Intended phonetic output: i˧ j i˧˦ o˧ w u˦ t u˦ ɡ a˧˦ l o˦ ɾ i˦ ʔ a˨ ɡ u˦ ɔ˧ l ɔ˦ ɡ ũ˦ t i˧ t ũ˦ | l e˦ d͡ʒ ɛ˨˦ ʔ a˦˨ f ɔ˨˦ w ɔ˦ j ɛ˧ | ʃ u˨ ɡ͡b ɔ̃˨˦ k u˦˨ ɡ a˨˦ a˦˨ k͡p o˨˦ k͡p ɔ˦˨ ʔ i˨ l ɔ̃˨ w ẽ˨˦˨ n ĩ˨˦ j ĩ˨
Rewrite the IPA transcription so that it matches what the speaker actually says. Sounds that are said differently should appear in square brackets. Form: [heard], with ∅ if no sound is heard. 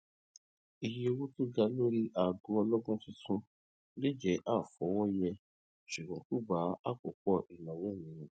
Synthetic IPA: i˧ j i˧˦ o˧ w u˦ t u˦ ɡ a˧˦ l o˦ ɾ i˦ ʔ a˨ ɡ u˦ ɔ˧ l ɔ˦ ɡ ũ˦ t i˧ t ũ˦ | l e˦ d͡ʒ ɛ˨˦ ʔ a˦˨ f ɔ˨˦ w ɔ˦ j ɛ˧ | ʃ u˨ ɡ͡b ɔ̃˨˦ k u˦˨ [ɡ͡b] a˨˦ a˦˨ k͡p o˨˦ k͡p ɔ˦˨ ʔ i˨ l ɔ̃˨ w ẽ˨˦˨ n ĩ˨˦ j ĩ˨